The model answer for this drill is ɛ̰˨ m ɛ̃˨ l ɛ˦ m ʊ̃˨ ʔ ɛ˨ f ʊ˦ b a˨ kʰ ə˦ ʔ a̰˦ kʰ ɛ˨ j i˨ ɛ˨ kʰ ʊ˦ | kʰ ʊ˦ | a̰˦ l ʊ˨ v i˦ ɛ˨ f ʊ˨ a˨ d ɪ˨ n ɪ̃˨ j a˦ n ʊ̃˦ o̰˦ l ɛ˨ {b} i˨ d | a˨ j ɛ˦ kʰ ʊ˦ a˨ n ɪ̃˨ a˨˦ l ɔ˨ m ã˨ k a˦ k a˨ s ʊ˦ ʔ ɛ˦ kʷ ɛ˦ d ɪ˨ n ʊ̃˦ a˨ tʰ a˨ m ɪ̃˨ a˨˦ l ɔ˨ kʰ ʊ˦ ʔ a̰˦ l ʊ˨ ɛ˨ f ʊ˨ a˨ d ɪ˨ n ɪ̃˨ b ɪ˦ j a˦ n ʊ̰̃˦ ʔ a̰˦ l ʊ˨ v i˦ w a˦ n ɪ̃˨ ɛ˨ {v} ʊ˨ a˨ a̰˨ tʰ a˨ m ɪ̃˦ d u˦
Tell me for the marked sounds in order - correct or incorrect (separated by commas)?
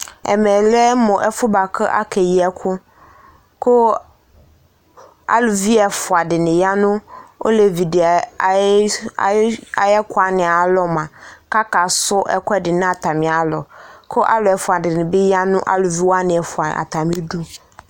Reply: incorrect, incorrect